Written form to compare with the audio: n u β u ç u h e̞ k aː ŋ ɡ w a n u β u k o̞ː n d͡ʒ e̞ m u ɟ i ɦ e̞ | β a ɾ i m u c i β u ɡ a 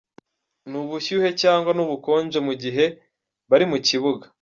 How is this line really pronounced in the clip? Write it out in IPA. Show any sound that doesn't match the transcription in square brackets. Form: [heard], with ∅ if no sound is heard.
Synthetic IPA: n u β u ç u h e̞ [c] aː ŋ ɡ w a n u β u k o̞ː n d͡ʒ e̞ m u ɟ i ɦ e̞ | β a ɾ i m u c i β u ɡ a